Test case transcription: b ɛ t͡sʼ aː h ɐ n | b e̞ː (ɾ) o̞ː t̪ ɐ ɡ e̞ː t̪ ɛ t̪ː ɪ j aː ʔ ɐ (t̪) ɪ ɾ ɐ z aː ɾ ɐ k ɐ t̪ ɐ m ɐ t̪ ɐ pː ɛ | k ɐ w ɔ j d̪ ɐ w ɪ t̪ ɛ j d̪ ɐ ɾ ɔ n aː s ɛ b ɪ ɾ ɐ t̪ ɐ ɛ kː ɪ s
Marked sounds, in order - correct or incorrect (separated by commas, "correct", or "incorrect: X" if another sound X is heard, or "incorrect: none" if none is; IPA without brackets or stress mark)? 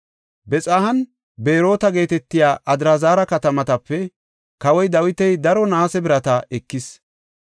correct, incorrect: d̪